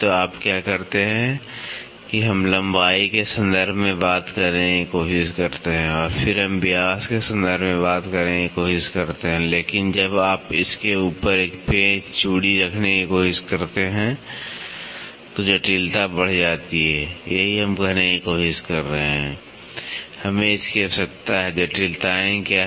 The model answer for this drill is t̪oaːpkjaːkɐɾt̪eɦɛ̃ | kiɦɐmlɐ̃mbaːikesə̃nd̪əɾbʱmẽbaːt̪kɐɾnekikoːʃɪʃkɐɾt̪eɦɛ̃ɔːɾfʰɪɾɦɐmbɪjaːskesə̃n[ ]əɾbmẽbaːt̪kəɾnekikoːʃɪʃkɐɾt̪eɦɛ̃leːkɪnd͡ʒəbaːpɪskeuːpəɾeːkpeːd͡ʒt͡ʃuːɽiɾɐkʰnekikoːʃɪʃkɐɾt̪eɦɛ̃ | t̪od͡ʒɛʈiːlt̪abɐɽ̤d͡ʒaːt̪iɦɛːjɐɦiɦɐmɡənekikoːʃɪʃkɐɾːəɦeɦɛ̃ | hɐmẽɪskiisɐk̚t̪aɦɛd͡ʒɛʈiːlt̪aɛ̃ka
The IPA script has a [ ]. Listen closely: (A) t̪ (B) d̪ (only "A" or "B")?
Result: B